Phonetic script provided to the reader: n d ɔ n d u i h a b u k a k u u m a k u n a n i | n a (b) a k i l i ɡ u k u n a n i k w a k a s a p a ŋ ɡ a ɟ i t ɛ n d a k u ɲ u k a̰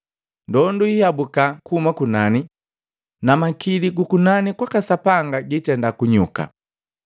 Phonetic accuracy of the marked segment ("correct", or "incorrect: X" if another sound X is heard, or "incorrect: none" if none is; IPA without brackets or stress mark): incorrect: m